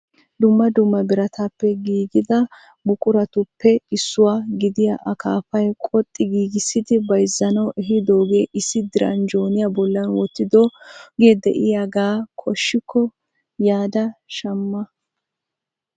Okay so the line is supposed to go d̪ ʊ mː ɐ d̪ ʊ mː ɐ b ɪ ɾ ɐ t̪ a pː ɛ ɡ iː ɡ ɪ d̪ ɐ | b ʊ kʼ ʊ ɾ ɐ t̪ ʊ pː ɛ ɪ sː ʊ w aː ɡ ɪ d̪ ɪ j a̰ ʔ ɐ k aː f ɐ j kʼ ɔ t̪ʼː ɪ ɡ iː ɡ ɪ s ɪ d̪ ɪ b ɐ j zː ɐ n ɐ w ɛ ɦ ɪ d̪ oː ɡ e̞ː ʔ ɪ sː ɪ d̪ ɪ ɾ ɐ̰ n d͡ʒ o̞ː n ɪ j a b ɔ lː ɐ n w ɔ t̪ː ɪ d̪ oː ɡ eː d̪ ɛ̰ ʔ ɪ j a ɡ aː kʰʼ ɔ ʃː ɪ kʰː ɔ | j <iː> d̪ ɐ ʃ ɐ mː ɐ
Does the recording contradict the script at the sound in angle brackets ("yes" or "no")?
yes